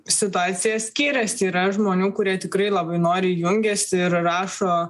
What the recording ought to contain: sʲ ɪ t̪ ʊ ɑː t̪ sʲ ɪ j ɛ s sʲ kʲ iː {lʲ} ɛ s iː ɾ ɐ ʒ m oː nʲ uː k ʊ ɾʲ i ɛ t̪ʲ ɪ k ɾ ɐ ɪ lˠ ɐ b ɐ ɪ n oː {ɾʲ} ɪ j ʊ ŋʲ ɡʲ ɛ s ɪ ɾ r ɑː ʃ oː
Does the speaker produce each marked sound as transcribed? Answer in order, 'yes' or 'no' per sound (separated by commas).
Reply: no, yes